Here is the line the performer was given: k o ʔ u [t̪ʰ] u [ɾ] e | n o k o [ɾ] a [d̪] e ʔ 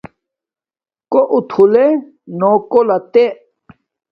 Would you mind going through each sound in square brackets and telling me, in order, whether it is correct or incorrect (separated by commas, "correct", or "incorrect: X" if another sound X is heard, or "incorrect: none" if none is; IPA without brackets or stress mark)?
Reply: correct, incorrect: l, incorrect: l, incorrect: t̪